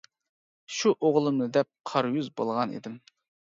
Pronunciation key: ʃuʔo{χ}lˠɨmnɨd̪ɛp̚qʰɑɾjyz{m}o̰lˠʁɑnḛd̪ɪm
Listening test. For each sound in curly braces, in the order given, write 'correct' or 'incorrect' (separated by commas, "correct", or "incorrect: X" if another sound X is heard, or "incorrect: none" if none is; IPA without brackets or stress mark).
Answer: incorrect: ʁ, incorrect: b